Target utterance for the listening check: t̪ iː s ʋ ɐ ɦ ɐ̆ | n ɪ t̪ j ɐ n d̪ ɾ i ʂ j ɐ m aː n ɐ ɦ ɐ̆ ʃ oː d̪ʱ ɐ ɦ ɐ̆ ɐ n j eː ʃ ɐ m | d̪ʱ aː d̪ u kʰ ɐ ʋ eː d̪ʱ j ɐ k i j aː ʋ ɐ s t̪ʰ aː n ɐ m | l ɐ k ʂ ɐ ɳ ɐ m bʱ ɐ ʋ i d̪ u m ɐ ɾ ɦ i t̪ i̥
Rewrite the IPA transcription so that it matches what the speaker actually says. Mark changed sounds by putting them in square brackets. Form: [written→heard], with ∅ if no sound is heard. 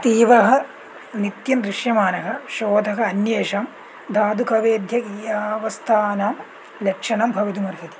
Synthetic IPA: t̪ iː [s→∅] ʋ ɐ ɦ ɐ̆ | n [ɪ→i] t̪ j ɐ n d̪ ɾ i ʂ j ɐ m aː n ɐ ɦ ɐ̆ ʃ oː d̪ʱ ɐ ɦ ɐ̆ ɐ n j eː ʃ ɐ m | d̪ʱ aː d̪ u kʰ ɐ ʋ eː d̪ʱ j ɐ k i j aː ʋ ɐ s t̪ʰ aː n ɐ m | l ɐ k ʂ ɐ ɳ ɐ m bʱ ɐ ʋ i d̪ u m ɐ ɾ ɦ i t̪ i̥